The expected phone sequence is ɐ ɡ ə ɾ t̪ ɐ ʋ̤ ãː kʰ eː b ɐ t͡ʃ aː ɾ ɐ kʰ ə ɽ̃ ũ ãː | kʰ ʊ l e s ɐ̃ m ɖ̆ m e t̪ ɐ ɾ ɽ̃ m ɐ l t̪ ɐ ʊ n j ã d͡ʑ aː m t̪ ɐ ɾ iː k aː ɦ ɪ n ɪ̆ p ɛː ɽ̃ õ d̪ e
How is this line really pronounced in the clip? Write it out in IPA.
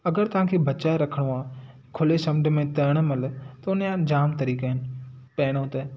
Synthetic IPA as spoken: ɐ ɡ ə ɾ t̪ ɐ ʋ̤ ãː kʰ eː b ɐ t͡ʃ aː ɾ ɐ kʰ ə ɽ̃ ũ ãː | kʰ ʊ l e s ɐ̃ m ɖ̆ m ẽ t̪ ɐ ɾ ɽ̃ m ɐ l t̪ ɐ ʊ n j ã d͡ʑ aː m t̪ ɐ ɾ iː k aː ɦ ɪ n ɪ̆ p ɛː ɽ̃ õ t̪ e